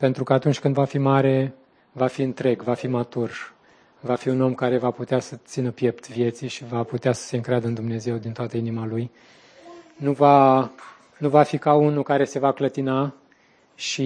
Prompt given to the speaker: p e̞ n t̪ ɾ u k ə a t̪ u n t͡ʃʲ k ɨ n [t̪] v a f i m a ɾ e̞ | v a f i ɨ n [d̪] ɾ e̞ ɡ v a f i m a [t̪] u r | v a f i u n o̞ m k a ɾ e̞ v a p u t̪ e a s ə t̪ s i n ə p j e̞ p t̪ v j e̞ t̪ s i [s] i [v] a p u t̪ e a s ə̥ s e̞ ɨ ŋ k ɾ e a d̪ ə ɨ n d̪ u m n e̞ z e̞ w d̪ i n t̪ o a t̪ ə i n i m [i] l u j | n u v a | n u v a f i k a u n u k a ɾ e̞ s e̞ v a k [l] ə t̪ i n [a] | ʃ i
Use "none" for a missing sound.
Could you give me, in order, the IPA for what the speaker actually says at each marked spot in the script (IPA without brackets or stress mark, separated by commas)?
d̪, t̪, t̪, ʃ, v, a, l, a